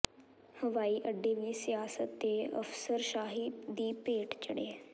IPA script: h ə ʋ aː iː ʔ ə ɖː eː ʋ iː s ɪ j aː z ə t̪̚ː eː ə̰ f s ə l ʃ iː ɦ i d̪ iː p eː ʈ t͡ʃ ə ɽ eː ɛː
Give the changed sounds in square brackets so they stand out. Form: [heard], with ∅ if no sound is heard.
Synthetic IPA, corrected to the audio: h ə ʋ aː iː ʔ ə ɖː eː ʋ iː s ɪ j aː [s] ə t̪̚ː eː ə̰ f s ə [ɾ] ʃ [aː] ɦ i d̪ iː p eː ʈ t͡ʃ ə ɽ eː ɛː

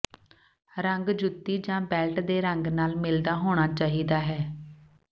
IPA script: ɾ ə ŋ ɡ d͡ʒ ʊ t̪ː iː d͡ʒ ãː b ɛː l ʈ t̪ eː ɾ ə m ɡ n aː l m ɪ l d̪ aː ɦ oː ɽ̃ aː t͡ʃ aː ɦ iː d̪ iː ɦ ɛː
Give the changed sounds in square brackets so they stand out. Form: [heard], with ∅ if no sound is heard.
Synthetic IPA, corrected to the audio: ɾ ə ŋ ɡ d͡ʒ ʊ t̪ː iː d͡ʒ ãː b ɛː l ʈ [d̪] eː ɾ ə [ŋ] ɡ n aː l m ɪ l d̪ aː ɦ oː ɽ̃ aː t͡ʃ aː ɦ iː d̪ [aː] ɦ ɛː

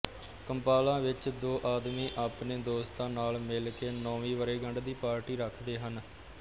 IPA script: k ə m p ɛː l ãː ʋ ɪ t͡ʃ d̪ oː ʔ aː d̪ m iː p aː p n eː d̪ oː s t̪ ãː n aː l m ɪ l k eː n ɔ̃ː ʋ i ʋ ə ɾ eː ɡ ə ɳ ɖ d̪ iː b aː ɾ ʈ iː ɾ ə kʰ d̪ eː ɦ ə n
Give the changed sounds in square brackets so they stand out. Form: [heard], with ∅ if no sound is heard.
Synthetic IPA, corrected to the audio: k ə m p [aː] l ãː ʋ ɪ t͡ʃ d̪ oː ʔ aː d̪ m iː [ʔ] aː p n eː d̪ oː s t̪ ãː n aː l m ɪ l k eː n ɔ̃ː ʋ [iː] ʋ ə ɾ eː ɡ ə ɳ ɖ d̪ iː [p] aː ɾ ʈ iː ɾ ə kʰ d̪ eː ɦ ə n

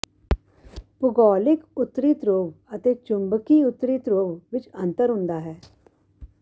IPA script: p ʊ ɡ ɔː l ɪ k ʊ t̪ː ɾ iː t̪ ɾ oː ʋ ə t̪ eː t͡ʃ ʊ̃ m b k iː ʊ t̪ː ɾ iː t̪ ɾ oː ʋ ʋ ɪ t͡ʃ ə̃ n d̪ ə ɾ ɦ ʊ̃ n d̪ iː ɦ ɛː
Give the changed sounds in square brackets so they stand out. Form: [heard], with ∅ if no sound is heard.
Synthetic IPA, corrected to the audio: p ʊ ɡ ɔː l ɪ k ʊ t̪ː ɾ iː t̪ ɾ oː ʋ ə t̪ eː t͡ʃ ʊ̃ m b k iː ʊ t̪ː ɾ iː t̪ ɾ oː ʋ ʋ ɪ t͡ʃ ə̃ n [t̪] ə ɾ ɦ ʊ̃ n d̪ [aː] ɦ ɛː

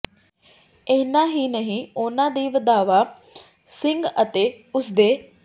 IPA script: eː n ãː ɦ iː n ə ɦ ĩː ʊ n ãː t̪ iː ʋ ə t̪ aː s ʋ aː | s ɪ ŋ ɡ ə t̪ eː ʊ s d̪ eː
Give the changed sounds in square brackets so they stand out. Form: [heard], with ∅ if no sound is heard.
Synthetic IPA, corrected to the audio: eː n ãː ɦ iː n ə ɦ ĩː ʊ n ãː [d̪] iː ʋ ə [d̪] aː [∅] ʋ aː | s ɪ ŋ ɡ ə t̪ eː ʊ s d̪ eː

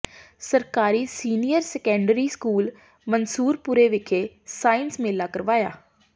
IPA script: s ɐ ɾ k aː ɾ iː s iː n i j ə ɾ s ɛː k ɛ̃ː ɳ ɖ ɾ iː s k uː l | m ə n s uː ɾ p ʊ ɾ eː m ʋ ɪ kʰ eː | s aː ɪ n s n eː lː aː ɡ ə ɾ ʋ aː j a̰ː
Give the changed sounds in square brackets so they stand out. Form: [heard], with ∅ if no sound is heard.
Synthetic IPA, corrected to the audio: s [ə] ɾ k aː ɾ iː s iː n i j ə ɾ s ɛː k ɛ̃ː ɳ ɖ ɾ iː s k uː l | m ə n s uː ɾ p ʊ ɾ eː [∅] ʋ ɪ kʰ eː | s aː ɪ n s [m] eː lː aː [k] ə ɾ ʋ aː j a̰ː

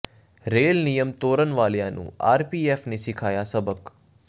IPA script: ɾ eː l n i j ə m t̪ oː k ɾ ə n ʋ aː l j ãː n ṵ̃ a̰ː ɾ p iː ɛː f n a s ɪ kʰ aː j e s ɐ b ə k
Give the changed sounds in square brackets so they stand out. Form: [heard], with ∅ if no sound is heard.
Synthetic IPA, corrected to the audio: ɾ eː l n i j ə m t̪ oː [∅] ɾ ə n ʋ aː l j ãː n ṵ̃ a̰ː ɾ p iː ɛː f n [e] s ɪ kʰ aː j [a] s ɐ b ə k

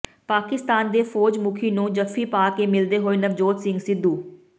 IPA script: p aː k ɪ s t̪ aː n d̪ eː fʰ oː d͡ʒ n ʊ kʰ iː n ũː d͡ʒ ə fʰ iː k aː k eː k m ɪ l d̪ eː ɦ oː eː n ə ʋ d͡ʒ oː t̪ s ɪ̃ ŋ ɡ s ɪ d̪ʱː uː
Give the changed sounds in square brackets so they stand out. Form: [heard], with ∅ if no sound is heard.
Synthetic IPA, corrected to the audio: p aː k ɪ s t̪ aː n d̪ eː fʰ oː d͡ʒ [m] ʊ kʰ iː n ũː d͡ʒ ə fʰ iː [p] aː k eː [∅] m ɪ l d̪ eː ɦ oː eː n ə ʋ d͡ʒ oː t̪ s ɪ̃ ŋ ɡ s ɪ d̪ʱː uː

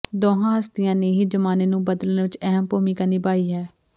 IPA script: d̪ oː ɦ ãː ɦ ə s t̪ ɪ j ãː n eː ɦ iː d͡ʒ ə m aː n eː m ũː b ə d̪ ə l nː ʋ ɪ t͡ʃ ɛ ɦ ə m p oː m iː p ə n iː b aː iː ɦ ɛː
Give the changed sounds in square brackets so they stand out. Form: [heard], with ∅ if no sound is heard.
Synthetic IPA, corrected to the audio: d̪ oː ɦ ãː ɦ ə s t̪ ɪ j ãː n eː ɦ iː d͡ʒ ə m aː n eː [n] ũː b ə d̪ ə l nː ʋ ɪ t͡ʃ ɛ ɦ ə m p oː m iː [k] ə n iː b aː iː ɦ ɛː

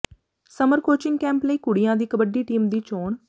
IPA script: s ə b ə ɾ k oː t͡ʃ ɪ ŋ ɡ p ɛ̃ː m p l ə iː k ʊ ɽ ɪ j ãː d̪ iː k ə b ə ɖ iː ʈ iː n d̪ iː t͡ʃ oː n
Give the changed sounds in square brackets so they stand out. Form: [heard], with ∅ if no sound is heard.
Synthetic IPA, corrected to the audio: s ə [m] ə ɾ k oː t͡ʃ ɪ ŋ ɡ [k] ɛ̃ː m p l ə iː k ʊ ɽ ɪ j ãː d̪ iː k ə b ə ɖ iː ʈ iː [m] d̪ iː t͡ʃ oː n

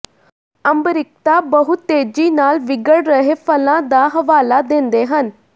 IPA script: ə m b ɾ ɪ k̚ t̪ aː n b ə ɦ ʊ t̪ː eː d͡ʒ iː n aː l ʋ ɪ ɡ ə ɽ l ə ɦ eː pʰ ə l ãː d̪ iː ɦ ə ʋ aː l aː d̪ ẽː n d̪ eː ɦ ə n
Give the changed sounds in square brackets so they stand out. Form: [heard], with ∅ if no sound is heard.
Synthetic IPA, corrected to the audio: ə m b ɾ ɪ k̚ t̪ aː [∅] b ə ɦ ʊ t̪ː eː d͡ʒ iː n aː l ʋ ɪ ɡ ə ɽ [ɾ] ə ɦ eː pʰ ə l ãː d̪ [aː] ɦ ə ʋ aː l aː d̪ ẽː n d̪ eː ɦ ə n

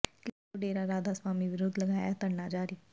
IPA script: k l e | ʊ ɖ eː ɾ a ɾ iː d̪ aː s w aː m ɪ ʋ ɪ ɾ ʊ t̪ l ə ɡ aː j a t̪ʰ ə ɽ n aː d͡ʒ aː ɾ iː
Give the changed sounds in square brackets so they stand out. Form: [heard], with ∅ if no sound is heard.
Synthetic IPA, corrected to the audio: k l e | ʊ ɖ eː ɾ a ɾ [aː] d̪ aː s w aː m [i] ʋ ɪ ɾ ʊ [d̪] l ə ɡ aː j a [t̪] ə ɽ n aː d͡ʒ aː ɾ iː

